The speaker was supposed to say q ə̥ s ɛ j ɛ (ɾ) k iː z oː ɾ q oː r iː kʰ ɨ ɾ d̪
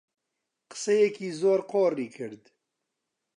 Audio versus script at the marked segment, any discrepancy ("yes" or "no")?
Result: yes